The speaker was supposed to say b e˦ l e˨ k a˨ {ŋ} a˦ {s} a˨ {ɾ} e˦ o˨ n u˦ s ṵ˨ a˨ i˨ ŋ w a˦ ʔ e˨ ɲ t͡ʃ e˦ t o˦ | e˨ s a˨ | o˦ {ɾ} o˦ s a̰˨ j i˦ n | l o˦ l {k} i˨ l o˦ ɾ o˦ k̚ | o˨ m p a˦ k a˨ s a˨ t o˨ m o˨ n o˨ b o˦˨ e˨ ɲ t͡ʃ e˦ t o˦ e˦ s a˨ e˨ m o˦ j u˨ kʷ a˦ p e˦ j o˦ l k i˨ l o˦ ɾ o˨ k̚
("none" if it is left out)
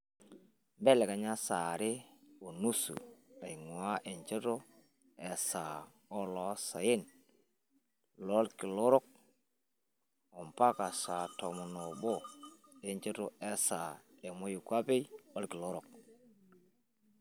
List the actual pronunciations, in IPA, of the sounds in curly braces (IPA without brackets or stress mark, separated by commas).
ɲ, s, ɾ, l, k